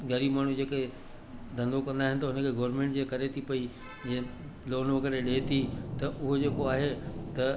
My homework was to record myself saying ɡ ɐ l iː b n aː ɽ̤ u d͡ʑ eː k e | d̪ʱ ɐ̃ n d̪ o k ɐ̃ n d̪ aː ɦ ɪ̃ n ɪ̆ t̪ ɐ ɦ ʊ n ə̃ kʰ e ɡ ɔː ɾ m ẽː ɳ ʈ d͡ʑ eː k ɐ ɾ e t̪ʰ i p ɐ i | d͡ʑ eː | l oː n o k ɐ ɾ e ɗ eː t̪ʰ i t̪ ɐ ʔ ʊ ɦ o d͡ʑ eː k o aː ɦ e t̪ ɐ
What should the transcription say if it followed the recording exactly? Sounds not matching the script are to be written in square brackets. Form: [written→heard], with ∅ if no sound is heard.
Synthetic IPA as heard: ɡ ɐ [l→ɾ] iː b [n→m] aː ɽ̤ u d͡ʑ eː k e | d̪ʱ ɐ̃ n d̪ o k ɐ̃ n d̪ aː ɦ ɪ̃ n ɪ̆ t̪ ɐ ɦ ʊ n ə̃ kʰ e ɡ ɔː ɾ m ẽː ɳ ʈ d͡ʑ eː k ɐ ɾ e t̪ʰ i p ɐ i | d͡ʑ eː | l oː n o k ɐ ɾ e ɗ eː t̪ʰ i t̪ ɐ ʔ ʊ ɦ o d͡ʑ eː k o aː ɦ e t̪ ɐ